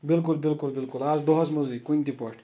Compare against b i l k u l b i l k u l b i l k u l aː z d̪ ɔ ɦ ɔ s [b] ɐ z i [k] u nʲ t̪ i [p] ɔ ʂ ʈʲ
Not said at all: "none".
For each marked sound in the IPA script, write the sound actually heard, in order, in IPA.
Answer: m, k, p

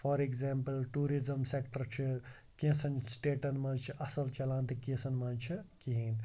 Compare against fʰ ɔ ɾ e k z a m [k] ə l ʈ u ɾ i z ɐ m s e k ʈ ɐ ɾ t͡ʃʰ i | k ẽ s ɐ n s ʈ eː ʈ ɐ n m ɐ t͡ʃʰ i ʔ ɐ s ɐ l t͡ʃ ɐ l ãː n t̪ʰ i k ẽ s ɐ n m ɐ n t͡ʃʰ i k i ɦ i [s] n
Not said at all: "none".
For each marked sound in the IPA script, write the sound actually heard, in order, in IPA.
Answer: p, none

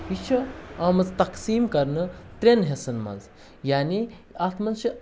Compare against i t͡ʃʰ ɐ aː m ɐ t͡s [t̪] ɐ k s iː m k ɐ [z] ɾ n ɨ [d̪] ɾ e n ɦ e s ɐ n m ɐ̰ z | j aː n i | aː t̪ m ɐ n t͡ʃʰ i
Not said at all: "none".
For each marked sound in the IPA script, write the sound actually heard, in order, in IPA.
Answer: t̪, none, t̪

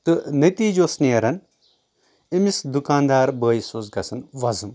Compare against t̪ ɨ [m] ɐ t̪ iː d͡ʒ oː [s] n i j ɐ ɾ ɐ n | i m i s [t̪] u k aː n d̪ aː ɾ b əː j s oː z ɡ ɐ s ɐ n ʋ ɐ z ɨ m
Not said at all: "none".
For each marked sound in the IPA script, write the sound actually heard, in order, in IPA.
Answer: n, s, d̪

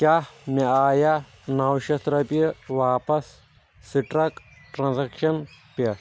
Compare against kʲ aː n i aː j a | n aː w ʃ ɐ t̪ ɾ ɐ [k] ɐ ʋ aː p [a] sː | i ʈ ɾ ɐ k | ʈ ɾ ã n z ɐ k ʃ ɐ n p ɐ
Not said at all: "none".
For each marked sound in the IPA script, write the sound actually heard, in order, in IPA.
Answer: p, ɐ

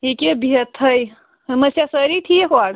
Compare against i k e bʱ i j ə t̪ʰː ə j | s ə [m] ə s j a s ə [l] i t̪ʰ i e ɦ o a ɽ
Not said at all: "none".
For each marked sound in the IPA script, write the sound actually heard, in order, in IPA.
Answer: m, ɾ

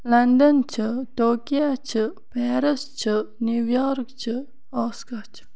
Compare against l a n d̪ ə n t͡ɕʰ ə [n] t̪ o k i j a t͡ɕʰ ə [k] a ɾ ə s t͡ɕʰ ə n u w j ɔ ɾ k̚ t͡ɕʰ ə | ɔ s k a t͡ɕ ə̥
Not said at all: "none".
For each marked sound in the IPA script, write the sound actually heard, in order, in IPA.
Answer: none, p

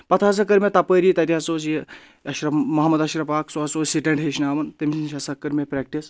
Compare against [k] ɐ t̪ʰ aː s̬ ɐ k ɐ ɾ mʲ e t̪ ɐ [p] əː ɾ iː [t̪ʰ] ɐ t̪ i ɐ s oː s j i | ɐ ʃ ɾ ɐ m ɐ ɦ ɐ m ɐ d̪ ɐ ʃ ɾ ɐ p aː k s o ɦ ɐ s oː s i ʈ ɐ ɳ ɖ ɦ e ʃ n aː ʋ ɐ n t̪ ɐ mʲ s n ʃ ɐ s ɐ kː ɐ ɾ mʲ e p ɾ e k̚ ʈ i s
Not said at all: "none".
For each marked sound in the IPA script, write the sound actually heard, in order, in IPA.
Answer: p, p, t̪

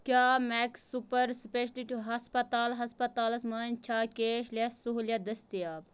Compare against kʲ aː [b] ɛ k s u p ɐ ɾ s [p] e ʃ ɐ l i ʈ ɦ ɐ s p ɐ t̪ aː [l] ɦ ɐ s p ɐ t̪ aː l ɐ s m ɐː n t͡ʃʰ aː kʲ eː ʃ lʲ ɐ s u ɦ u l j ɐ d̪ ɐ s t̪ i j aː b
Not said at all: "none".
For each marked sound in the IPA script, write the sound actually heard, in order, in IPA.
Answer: m, p, l

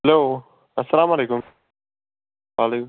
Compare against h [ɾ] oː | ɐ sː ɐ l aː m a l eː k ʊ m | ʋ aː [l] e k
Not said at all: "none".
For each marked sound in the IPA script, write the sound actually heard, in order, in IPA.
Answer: l, l

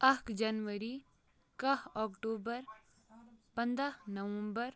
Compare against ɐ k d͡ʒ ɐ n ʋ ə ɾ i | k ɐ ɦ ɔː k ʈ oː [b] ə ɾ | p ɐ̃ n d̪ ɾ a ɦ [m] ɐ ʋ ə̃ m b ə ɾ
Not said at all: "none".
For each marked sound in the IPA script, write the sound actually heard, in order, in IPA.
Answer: b, n

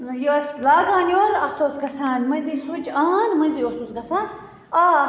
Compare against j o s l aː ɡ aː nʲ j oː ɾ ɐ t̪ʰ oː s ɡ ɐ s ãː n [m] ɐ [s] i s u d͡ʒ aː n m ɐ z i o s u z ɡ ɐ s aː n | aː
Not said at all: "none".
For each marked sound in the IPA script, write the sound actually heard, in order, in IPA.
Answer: m, z

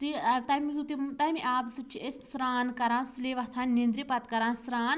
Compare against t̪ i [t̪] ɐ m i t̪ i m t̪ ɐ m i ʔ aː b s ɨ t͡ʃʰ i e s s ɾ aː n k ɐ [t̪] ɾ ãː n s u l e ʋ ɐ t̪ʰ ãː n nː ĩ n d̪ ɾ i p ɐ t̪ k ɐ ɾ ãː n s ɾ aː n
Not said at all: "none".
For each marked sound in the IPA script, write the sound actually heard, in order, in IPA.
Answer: t̪, none

